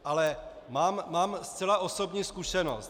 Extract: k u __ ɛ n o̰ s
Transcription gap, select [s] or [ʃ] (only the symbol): ʃ